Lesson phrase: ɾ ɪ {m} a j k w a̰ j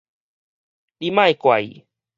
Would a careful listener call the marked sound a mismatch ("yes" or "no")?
no